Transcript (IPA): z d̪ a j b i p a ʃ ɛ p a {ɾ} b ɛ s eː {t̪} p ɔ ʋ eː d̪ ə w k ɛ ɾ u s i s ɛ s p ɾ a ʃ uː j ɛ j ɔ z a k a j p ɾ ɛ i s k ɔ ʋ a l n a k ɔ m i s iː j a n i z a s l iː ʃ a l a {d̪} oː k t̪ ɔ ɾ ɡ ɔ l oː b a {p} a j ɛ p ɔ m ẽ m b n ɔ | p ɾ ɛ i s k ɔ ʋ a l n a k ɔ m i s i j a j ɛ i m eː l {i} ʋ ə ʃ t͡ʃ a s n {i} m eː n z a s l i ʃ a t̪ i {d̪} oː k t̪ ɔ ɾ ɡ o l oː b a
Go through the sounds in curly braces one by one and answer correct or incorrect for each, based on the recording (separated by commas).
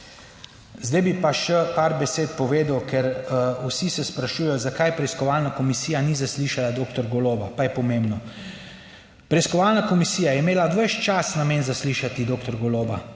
correct, correct, correct, correct, incorrect, incorrect, correct